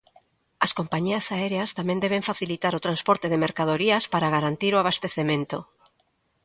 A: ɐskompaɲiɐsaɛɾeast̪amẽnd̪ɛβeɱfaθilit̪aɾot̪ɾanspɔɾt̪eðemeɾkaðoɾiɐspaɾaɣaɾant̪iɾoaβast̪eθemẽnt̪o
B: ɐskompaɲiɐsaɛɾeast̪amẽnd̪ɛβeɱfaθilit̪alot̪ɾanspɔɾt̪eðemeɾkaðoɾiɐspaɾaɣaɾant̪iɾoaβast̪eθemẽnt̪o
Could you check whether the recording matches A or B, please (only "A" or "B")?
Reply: A